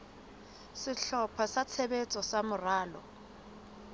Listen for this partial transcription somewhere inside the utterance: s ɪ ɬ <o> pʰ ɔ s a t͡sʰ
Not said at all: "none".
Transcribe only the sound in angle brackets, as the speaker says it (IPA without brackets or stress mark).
ɔ